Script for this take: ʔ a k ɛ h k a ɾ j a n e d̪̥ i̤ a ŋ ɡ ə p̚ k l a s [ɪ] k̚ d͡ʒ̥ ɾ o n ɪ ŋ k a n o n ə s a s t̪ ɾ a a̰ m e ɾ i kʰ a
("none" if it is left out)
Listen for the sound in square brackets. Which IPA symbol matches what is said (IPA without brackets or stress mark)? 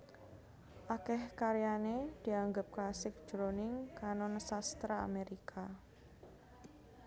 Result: ɪ